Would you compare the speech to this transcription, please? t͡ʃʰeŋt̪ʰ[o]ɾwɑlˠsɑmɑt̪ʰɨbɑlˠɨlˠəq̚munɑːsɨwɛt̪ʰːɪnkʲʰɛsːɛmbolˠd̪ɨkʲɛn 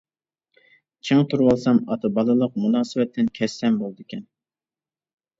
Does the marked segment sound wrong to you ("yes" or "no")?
yes